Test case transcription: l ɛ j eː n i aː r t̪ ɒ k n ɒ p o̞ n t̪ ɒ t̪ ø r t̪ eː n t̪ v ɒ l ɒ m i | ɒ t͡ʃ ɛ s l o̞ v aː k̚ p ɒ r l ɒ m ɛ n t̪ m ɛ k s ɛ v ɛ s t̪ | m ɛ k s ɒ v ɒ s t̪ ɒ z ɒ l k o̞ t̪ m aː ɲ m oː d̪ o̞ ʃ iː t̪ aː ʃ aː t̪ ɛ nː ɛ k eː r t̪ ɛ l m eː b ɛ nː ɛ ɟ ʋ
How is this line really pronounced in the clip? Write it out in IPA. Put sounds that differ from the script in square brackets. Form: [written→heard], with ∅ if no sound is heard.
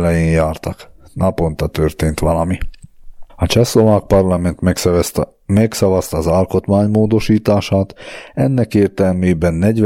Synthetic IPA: l ɛ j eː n [i→j] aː r t̪ ɒ k n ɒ p o̞ n t̪ ɒ t̪ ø r t̪ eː n t̪ [v→ʋ] ɒ l ɒ m i | ɒ t͡ʃ ɛ s l o̞ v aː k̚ p ɒ r l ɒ m ɛ n t̪ m ɛ k s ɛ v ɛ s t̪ | m ɛ k s ɒ v ɒ s t̪ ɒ z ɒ l k o̞ t̪ m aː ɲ m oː d̪ o̞ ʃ iː t̪ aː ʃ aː t̪ ɛ nː ɛ k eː r t̪ ɛ l m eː b ɛ nː ɛ ɟ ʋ